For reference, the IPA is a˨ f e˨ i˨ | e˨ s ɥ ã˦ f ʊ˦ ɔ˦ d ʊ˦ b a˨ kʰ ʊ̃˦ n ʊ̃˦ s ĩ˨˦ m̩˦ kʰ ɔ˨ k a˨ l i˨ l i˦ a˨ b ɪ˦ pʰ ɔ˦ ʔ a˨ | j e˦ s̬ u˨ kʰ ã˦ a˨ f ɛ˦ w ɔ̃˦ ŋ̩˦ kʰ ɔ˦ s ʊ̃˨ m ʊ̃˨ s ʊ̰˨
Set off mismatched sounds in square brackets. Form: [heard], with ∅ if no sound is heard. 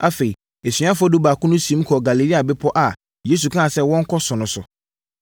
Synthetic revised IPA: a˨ f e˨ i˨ | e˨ s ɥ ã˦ f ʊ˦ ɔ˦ d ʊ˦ b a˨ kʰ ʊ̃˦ n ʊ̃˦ s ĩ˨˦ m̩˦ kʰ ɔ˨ [ɡ] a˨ l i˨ l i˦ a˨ b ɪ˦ pʰ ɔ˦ ʔ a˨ | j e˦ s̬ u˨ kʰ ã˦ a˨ [s] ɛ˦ w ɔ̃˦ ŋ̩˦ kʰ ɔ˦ s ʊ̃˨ [n] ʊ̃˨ s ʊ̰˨

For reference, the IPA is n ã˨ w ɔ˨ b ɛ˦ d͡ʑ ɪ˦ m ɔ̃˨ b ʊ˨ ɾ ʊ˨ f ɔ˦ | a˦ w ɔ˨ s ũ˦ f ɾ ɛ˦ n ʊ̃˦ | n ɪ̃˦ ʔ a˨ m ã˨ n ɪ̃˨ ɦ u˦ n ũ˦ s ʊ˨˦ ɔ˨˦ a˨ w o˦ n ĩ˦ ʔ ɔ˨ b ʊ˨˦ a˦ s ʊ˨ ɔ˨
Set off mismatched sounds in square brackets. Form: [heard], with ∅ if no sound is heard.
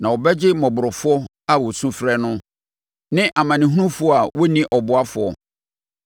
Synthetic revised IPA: n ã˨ w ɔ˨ b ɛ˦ d͡ʑ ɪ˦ m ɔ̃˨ b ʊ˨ ɾ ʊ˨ f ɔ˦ | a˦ w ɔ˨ s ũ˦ f ɾ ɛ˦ n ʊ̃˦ | n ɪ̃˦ ʔ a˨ m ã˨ n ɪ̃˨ ɦ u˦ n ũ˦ [f] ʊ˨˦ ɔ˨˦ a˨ w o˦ n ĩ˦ ʔ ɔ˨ b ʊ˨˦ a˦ [f] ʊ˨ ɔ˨

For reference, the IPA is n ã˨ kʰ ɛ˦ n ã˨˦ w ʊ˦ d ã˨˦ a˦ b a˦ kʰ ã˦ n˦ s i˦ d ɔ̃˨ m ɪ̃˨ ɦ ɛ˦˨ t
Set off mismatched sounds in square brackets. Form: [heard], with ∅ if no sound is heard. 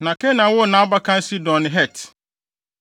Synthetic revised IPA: n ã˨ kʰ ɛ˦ n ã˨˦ w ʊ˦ [n] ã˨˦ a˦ b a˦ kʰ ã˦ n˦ s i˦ d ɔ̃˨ [n] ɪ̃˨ ɦ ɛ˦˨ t

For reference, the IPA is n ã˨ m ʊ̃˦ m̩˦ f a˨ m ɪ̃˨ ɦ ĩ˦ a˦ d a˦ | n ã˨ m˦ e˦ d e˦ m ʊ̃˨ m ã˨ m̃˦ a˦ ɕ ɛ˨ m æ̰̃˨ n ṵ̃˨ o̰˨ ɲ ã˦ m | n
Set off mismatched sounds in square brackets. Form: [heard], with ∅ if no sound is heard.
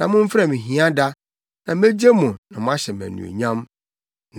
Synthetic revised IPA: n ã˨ m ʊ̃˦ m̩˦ f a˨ m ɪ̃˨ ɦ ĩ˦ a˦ d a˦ | n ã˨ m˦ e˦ [d͡ʑ] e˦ m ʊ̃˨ [n] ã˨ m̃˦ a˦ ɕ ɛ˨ m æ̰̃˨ n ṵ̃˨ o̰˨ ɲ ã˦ m | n

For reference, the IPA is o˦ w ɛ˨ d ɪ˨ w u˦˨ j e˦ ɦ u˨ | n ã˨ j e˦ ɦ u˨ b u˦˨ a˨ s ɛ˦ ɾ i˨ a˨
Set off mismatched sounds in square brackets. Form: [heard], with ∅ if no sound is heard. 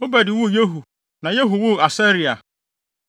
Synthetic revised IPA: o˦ [b] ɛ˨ d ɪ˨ w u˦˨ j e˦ ɦ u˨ | n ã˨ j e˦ ɦ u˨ [w] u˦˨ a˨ s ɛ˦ ɾ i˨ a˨

